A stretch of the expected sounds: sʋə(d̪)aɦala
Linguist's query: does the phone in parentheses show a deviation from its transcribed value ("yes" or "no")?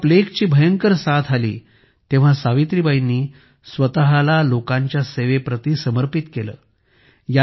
yes